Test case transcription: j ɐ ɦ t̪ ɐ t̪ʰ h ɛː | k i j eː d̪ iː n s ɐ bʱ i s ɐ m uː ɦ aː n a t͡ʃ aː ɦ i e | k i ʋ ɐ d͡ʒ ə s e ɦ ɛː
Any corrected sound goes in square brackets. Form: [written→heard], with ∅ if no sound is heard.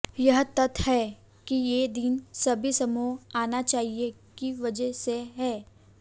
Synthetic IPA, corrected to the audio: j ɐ ɦ t̪ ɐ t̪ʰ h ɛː | k i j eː d̪ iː n s ɐ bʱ i s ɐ m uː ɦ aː n a t͡ʃ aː ɦ i e | k i ʋ ɐ d͡ʒ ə s e ɦ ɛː